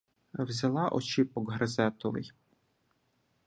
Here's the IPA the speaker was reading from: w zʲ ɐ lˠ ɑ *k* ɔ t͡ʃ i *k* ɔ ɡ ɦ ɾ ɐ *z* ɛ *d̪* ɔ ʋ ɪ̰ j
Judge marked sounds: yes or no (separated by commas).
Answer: no, no, yes, no